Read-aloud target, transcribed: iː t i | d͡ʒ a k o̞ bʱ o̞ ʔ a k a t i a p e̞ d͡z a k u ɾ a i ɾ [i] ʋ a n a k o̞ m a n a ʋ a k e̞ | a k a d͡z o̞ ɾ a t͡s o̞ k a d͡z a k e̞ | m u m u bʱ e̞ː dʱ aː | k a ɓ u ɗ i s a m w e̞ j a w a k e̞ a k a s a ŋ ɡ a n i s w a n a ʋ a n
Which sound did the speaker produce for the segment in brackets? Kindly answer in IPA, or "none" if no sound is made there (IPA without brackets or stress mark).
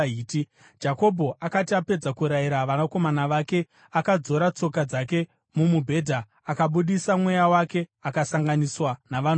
a